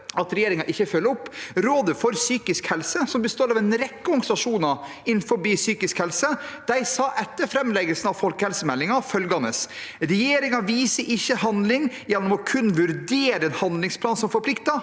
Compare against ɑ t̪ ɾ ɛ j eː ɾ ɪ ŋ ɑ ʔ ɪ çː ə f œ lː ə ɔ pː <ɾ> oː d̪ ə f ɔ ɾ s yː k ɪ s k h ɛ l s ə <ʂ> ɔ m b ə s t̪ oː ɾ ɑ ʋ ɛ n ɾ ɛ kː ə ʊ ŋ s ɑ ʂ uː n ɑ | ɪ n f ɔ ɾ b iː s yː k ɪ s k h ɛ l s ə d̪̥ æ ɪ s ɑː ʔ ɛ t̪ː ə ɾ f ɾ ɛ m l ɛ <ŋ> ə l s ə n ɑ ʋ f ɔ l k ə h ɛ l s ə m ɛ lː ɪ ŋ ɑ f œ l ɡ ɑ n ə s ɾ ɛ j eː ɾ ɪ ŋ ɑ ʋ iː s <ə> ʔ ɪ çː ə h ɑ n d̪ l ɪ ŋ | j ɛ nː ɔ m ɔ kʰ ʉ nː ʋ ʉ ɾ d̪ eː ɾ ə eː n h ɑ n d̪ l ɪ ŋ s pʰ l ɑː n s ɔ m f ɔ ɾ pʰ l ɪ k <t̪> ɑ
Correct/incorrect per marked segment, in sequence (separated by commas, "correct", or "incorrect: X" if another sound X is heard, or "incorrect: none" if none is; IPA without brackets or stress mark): correct, incorrect: s, incorrect: ɡ, correct, correct